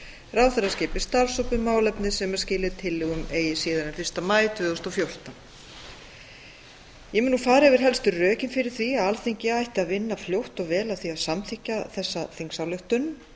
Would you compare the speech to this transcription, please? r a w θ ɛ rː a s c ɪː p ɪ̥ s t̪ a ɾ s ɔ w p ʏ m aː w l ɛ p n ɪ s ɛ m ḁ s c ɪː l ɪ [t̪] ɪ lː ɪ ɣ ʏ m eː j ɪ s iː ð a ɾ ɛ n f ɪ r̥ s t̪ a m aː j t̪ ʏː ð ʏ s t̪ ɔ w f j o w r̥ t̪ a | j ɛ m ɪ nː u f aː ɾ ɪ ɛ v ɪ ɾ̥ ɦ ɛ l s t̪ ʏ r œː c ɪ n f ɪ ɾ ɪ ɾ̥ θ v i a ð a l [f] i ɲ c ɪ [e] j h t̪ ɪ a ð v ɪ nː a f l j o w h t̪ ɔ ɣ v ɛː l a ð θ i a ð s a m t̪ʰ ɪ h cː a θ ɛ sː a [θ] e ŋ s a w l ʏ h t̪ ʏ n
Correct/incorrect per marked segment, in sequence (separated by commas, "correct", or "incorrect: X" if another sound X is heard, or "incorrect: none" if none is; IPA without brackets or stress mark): incorrect: t̪ʰ, incorrect: θ, incorrect: a, correct